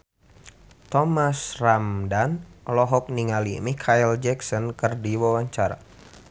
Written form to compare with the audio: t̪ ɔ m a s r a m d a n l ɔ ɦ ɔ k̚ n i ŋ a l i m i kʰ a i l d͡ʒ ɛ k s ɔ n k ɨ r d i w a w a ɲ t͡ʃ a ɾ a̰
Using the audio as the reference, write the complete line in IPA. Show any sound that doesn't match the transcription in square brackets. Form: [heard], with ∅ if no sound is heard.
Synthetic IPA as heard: t̪ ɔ m a s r a m d a n l ɔ ɦ ɔ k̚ n i ŋ a l i m i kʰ a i l d͡ʒ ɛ k s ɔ n k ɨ r d i w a w a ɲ t͡ʃ a ɾ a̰